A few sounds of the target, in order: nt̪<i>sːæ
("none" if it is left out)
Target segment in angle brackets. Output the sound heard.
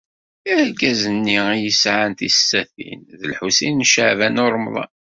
i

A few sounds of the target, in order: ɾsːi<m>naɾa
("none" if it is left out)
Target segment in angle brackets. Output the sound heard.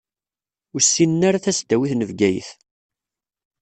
n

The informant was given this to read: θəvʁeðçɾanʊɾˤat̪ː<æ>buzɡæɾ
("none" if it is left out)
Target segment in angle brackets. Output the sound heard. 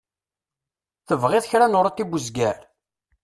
i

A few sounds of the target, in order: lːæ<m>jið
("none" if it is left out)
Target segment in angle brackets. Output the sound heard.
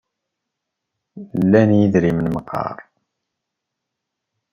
n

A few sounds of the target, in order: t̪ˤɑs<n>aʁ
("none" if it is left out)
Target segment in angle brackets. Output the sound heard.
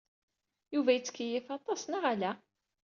n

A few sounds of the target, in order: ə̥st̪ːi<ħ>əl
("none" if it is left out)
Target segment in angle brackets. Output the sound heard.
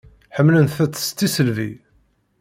s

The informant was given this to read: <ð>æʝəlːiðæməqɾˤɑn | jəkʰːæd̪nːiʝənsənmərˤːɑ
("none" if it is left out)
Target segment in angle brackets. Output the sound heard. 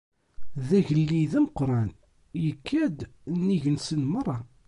ð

